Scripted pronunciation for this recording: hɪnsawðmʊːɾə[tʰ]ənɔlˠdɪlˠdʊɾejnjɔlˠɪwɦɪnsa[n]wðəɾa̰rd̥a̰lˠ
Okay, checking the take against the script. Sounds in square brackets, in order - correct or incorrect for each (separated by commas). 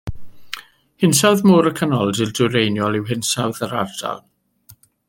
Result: incorrect, incorrect